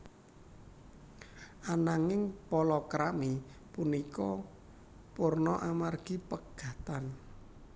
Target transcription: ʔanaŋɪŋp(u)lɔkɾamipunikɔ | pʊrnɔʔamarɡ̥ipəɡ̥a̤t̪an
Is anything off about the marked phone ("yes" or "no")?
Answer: yes